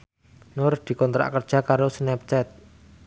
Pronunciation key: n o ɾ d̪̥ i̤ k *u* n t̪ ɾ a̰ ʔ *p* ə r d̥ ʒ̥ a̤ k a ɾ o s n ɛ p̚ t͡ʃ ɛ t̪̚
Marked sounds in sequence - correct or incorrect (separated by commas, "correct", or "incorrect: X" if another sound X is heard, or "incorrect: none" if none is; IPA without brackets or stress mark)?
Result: incorrect: ɔ, incorrect: k